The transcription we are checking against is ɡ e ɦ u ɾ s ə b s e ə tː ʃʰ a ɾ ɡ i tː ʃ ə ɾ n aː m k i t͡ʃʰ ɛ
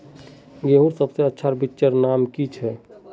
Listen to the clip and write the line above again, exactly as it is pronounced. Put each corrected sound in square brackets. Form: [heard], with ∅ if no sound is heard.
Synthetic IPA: ɡ e ɦ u ɾ s ə b s e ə tː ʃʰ a ɾ [b] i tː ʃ ə ɾ n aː m k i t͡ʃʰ ɛ